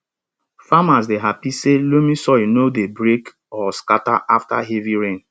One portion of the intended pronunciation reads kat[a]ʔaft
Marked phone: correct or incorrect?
correct